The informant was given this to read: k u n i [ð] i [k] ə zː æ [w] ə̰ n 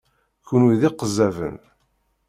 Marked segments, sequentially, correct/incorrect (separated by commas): correct, incorrect, incorrect